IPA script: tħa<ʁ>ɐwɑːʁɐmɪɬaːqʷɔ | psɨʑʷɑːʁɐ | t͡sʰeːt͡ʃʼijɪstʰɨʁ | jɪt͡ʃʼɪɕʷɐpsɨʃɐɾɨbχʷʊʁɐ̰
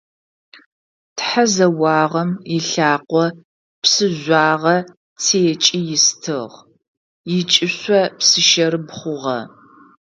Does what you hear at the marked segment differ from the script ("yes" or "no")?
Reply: yes